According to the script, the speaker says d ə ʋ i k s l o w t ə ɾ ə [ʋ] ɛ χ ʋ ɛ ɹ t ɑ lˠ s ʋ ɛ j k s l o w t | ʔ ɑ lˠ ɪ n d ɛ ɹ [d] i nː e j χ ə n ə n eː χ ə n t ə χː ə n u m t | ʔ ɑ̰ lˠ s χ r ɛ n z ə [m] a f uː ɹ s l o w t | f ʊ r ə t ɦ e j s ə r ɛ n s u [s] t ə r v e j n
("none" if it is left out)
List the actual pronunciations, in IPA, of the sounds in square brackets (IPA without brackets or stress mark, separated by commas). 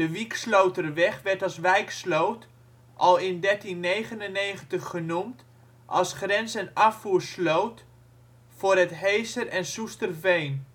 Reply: ʋ, t, n, s